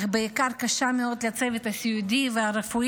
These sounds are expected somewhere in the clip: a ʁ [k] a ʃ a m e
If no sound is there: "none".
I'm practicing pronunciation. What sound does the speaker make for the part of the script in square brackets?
k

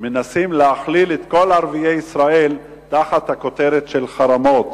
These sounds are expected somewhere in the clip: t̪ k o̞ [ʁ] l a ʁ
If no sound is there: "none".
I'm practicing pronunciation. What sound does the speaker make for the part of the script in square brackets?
none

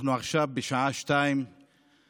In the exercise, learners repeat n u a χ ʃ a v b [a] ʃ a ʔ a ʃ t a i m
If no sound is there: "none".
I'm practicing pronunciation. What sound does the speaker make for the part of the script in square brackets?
e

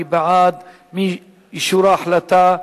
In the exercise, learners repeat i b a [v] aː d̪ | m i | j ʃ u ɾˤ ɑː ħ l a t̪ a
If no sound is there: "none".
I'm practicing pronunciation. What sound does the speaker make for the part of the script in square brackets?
ʕ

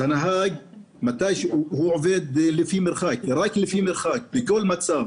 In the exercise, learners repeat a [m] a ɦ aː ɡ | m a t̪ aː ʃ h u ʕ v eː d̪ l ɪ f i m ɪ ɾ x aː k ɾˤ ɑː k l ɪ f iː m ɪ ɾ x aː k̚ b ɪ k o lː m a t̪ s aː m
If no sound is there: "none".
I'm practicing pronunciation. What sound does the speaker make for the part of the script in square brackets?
n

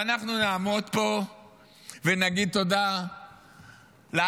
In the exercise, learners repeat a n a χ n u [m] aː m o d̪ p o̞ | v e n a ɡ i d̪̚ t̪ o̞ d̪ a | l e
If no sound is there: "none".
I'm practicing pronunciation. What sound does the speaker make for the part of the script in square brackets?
n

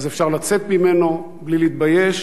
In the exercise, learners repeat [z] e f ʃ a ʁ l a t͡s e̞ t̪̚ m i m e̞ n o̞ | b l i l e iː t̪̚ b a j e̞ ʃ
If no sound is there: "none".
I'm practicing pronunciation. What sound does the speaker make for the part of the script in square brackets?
z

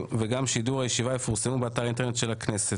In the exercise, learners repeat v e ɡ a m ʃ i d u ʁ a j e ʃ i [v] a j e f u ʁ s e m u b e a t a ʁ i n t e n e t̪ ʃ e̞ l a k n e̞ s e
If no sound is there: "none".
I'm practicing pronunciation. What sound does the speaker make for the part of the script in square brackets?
v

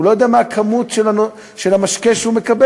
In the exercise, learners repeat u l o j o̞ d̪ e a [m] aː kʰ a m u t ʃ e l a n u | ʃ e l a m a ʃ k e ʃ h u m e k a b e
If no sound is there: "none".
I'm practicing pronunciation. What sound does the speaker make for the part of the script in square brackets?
m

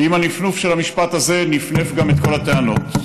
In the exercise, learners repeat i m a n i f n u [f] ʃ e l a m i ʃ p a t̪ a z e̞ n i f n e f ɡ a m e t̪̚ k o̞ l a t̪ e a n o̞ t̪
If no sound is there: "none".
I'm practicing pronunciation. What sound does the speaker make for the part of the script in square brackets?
f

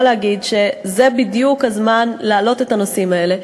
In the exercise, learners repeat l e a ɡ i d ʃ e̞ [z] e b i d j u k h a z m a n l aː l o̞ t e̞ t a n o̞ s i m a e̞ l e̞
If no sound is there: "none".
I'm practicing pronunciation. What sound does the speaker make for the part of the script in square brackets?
z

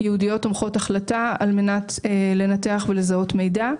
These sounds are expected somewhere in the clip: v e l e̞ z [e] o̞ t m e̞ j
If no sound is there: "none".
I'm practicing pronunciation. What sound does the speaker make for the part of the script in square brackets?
a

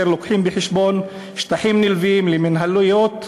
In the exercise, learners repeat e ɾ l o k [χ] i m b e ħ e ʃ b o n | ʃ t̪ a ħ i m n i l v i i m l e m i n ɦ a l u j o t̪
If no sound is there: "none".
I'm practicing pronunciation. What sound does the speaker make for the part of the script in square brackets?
ħ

